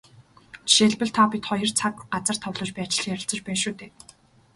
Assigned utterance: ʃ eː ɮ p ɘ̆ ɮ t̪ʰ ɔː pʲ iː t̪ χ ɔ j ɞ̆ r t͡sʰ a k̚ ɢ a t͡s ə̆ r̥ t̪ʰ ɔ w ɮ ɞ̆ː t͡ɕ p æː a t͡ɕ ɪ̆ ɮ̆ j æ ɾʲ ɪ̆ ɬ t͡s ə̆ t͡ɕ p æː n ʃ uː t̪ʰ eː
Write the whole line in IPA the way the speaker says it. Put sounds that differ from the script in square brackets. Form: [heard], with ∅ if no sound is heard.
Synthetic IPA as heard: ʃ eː ɮ p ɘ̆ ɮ t̪ʰ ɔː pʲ [i] t̪ χ ɔ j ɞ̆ r t͡sʰ a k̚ ɢ a t͡s ə̆ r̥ t̪ʰ ɔ w ɮ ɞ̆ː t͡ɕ p æː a t͡ɕ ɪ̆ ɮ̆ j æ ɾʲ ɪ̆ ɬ t͡s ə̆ t͡ɕ p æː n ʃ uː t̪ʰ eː